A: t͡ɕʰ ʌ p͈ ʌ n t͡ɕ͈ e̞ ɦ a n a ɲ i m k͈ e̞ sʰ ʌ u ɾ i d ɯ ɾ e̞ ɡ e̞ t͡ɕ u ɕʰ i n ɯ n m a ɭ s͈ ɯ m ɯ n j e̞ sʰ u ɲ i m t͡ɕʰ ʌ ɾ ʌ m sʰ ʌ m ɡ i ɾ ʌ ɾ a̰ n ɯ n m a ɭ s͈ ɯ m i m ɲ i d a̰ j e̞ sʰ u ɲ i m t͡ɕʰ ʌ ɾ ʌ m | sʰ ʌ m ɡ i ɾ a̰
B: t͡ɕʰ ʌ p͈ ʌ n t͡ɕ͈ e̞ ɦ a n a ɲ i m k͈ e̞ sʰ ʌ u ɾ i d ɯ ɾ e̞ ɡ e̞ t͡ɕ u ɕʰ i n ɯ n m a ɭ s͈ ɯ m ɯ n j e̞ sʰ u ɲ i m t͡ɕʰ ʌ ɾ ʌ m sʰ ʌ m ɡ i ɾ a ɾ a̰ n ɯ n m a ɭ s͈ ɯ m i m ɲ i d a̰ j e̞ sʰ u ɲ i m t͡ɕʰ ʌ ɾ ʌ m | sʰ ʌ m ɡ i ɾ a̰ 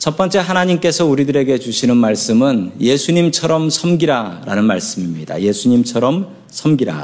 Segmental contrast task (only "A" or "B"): B